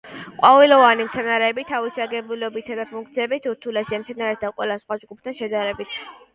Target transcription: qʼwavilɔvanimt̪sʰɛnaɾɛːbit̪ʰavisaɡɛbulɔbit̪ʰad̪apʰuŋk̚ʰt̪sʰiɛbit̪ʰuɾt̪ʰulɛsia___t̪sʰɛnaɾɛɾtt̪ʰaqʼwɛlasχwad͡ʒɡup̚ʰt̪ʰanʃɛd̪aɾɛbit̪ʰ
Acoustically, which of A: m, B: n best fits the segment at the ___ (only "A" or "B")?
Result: A